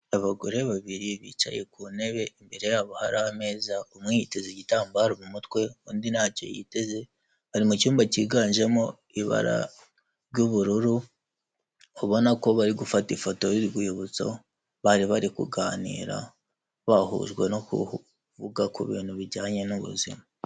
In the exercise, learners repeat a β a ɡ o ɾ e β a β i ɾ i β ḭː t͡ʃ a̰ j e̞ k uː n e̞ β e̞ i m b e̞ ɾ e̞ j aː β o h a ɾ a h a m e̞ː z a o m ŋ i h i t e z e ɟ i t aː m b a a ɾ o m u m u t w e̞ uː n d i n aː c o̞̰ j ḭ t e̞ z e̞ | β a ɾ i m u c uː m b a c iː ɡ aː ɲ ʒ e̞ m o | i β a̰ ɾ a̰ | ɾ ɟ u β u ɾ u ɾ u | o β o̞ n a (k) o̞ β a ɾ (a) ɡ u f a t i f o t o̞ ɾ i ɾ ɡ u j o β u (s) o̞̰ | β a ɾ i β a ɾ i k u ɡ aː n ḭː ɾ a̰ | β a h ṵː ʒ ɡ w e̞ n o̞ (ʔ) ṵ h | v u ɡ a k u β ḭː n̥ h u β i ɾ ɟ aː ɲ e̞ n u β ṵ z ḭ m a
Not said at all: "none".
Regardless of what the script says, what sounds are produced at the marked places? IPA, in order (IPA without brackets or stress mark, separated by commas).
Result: k, i, t͡s, k